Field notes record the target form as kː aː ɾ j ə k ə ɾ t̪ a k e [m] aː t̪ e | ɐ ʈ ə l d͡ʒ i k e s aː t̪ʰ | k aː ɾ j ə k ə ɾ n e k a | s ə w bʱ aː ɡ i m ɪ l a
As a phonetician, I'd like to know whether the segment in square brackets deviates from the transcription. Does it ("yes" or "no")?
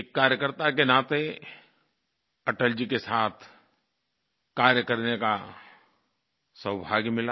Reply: yes